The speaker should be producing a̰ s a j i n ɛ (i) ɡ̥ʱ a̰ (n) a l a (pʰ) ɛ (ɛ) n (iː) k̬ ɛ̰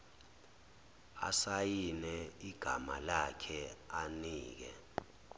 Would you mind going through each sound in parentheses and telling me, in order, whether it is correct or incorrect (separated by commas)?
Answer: correct, incorrect, incorrect, incorrect, correct